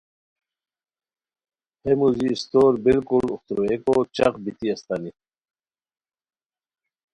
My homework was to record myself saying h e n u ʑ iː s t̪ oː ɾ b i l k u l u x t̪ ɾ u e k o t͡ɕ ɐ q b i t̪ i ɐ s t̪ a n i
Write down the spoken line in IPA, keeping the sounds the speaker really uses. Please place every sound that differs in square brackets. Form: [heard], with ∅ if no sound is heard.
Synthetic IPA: h e [m] u [z] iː s t̪ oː ɾ b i l k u l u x t̪ ɾ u e k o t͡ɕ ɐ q b i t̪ i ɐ s t̪ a n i

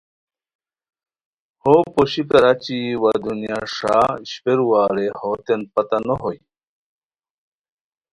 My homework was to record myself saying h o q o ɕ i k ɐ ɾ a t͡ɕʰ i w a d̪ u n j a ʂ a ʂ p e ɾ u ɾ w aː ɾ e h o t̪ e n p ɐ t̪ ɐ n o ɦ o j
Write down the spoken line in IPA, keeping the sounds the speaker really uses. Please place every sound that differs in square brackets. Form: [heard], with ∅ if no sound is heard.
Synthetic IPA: h o [p] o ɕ i k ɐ ɾ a [t͡ɕ] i w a d̪ u n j a ʂ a [ɕ] p e ɾ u [∅] w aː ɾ e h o t̪ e n p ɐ t̪ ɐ n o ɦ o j

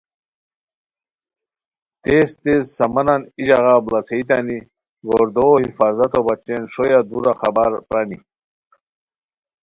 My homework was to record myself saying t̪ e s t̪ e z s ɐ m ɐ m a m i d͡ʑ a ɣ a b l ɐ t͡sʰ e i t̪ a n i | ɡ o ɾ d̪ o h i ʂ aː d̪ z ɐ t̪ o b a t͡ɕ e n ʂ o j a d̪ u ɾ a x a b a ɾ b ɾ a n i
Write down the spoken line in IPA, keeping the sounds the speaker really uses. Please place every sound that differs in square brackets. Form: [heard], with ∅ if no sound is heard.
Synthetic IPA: t̪ e s t̪ e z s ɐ m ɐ [n] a [n] i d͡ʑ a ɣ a b l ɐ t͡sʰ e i t̪ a n i | ɡ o ɾ d̪ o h i [f] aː [∅] z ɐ t̪ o b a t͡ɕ e n ʂ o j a d̪ u ɾ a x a b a ɾ [p] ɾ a n i

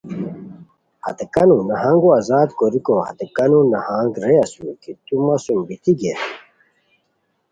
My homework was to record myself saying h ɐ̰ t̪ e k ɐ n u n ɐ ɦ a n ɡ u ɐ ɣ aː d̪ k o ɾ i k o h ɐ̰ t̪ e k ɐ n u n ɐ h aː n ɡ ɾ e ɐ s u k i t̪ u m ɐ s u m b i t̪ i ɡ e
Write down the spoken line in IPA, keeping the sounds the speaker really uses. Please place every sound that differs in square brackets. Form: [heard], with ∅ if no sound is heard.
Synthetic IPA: h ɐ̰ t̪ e k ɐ n u n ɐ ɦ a [ŋ] ɡ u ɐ [z] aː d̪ k o ɾ i k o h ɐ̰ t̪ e k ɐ n u n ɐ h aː [ŋ] ɡ ɾ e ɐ s u k i t̪ u m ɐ s u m b i t̪ i ɡ e

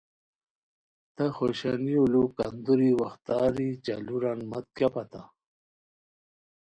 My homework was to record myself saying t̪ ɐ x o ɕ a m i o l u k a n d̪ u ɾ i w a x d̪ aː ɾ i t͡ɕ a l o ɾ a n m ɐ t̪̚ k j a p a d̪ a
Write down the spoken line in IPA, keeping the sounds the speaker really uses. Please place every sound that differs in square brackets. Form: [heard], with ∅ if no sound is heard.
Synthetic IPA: t̪ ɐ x o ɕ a [n] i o l u k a n d̪ u ɾ i w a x [t̪] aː ɾ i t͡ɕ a l [u] ɾ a n m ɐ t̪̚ k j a p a [t̪] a

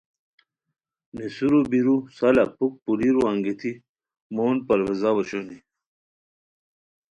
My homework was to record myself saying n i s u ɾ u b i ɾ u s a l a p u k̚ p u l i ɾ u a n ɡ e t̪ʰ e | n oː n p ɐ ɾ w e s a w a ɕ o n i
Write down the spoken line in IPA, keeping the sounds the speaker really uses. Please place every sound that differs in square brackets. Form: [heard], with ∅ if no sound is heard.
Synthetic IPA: n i s u ɾ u b i ɾ u s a l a p u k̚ p u l i ɾ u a [ŋ] ɡ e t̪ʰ [i] | [m] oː n p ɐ ɾ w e [z] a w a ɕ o n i

